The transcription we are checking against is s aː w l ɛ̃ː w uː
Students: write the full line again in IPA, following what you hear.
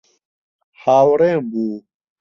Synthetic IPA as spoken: h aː w ɾ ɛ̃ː b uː